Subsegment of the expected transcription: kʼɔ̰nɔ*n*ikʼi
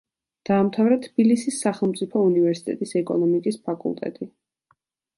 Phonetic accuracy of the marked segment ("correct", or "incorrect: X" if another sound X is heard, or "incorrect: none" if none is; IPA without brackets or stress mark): incorrect: m